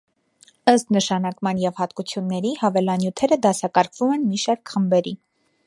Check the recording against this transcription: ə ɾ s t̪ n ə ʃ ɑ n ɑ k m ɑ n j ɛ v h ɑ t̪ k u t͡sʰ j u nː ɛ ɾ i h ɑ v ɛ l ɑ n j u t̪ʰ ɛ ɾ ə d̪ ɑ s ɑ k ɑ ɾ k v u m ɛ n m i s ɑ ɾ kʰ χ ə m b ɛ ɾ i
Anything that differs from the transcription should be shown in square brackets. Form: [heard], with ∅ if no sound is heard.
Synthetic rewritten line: ə [∅] s t̪ n ə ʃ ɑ n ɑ k m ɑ n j ɛ v h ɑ t̪ k u t͡sʰ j u nː ɛ ɾ i h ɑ v ɛ l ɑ n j u t̪ʰ ɛ ɾ ə d̪ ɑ s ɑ k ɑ ɾ [kʰ] v u m ɛ n m i [ʃ] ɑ ɾ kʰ χ ə m b ɛ ɾ i